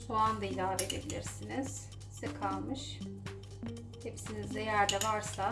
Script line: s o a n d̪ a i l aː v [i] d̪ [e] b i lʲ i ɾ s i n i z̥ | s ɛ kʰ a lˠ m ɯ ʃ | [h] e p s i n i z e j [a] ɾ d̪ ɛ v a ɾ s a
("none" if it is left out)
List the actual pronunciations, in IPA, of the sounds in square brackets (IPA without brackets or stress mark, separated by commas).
e, e, h, æ